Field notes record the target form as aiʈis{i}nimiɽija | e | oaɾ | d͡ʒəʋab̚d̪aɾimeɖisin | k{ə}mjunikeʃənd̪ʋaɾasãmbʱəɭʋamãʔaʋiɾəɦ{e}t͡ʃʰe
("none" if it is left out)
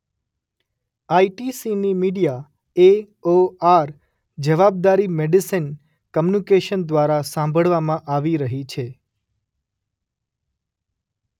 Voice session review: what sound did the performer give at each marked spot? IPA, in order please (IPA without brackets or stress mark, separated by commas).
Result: i, ə, i